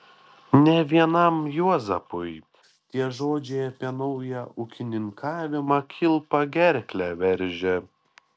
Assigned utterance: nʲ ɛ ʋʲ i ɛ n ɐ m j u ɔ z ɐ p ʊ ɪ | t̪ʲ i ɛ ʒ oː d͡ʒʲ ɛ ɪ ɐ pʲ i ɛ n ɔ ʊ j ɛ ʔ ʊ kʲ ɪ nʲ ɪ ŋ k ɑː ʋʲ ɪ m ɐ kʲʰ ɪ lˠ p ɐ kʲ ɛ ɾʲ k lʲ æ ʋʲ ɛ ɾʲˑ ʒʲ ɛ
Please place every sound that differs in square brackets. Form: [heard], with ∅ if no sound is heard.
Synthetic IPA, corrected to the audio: nʲ ɛ ʋʲ i ɛ n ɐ m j u ɔ z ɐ p ʊ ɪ | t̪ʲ i ɛ ʒ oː d͡ʒʲ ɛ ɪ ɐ pʲ i ɛ n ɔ ʊ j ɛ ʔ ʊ kʲ ɪ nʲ ɪ ŋ k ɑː ʋʲ ɪ m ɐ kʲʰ ɪ lˠ p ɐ [ɡʲ] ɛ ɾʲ k lʲ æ ʋʲ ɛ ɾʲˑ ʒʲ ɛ